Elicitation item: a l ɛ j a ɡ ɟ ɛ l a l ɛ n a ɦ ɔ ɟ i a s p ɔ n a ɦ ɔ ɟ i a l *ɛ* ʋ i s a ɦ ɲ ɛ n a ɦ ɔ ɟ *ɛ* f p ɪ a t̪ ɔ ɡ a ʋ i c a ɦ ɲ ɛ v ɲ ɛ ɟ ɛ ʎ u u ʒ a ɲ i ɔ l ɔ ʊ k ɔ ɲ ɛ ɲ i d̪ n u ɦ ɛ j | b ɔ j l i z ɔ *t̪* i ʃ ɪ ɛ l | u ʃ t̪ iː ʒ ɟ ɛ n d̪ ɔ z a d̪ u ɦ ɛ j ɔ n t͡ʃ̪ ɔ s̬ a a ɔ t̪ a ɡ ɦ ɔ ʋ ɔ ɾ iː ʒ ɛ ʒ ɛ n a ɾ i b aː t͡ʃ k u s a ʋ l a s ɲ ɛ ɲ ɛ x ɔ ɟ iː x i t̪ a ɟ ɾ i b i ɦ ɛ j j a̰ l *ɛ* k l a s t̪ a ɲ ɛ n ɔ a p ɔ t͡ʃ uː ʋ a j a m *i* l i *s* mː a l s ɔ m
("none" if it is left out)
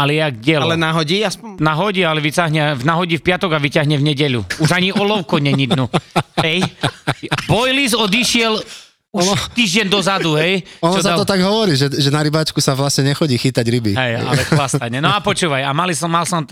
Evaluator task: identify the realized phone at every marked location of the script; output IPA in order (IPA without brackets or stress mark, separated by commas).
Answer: ɛ, i, d̪, ɛ, a, s